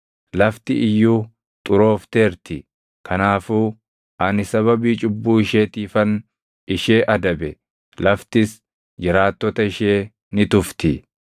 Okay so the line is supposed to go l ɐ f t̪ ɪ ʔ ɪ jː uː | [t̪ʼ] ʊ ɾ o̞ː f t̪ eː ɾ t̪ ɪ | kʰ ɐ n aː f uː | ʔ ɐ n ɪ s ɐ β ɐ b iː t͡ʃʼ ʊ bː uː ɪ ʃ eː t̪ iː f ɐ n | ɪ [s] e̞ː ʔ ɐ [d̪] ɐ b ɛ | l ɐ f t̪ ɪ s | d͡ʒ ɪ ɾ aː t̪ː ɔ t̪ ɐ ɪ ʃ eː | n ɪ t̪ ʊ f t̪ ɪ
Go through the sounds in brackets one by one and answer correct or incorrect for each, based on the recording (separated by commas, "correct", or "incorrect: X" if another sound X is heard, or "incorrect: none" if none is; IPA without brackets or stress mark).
correct, incorrect: ʃ, correct